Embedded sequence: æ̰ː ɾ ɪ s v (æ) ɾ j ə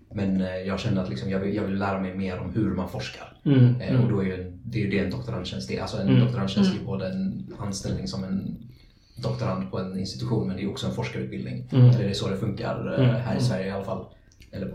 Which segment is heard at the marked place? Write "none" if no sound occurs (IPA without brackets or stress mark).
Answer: æ